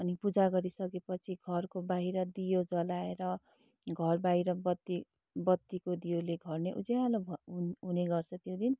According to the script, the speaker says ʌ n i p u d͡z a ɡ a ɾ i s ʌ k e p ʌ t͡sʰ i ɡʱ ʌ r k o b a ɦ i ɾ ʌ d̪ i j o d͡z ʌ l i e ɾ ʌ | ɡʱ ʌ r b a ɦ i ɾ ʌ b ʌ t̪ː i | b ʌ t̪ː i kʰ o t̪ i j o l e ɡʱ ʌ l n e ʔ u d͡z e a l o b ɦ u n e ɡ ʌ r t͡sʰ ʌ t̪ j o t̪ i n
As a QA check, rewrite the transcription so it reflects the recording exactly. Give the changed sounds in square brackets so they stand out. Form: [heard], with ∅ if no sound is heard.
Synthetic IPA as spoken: ʌ n i p u d͡z a ɡ [ʌ] ɾ i s ʌ k e p ʌ t͡sʰ i ɡʱ ʌ r k o b a ɦ i ɾ ʌ d̪ i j o d͡z ʌ l [a] e ɾ ʌ | ɡʱ ʌ r b a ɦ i ɾ ʌ b ʌ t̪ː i | b ʌ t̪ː i [k] o [d̪] i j o l e ɡʱ ʌ [r] n e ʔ u d͡z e a l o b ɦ u n e ɡ ʌ r t͡sʰ ʌ t̪ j o [d̪] i n